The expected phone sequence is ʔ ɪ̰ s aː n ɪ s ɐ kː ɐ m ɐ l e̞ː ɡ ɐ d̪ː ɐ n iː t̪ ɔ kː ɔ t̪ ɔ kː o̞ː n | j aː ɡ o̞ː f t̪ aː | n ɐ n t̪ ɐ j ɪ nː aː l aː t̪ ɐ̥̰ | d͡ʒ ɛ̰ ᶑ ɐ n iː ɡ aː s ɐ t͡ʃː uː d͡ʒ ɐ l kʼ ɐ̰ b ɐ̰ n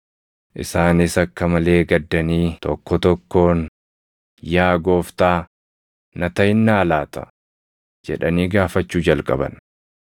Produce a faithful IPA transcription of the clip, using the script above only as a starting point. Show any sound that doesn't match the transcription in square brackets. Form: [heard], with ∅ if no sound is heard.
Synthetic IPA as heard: ʔ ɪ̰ s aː n ɪ s ɐ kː ɐ m ɐ l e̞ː ɡ ɐ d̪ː ɐ n iː t̪ ɔ kː ɔ t̪ ɔ kː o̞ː n | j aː ɡ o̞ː f t̪ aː | n ɐ [∅] t̪ ɐ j ɪ nː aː l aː t̪ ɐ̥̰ | d͡ʒ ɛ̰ ᶑ ɐ n iː ɡ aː [f] ɐ t͡ʃː uː d͡ʒ ɐ l kʼ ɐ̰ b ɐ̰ n